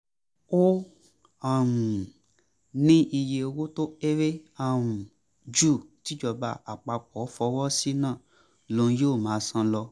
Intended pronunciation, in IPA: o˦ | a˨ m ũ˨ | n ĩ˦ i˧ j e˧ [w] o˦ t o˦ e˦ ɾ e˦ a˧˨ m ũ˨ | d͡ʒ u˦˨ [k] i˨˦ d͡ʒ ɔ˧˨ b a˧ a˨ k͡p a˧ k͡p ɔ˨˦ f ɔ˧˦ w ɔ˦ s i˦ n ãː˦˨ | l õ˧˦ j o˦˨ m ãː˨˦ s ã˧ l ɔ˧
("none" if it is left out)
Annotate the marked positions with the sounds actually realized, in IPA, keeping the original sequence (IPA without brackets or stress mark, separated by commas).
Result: w, t